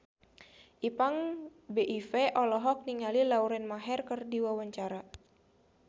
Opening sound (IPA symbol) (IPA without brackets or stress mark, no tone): ʔ